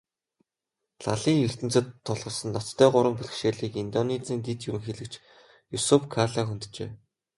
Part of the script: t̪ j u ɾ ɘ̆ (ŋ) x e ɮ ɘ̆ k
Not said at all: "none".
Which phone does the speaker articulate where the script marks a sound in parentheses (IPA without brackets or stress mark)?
ŋ